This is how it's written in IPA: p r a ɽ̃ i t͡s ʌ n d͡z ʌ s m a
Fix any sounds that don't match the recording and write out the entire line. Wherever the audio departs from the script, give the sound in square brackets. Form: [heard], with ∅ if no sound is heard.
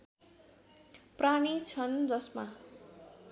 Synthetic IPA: p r a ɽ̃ i [t͡sʰ] ʌ n d͡z ʌ s m a